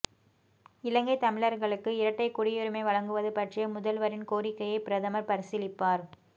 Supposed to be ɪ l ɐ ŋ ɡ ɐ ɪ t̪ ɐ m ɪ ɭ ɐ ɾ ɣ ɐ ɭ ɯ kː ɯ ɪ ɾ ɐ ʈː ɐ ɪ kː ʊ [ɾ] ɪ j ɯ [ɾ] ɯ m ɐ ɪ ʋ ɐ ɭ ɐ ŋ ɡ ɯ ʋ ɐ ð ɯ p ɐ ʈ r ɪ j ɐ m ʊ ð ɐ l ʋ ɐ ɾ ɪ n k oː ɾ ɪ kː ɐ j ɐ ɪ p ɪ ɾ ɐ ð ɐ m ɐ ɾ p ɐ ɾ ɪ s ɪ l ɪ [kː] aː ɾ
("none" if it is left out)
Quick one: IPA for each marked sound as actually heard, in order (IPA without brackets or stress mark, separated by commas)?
ɽ, ɾ, pː